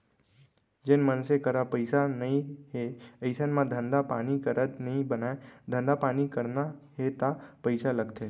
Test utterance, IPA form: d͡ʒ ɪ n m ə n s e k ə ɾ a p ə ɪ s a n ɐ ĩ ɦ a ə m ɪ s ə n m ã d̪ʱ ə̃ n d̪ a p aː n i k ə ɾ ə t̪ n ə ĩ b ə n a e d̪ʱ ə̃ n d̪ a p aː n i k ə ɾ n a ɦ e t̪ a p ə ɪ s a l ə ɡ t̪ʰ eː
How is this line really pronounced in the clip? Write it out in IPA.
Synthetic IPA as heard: d͡ʒ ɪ n m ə n s e k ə ɾ a p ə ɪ s a n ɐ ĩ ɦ e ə ɪ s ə n m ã d̪ʱ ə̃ n d̪ a p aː n i k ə ɾ ə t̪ n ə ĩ b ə n a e d̪ʱ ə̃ n d̪ a p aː n i k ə ɾ n a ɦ e t̪ a p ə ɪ s a l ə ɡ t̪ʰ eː